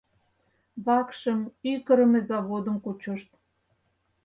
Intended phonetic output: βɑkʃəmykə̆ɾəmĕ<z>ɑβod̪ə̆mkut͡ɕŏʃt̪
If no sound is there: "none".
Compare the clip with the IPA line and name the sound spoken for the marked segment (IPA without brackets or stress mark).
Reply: z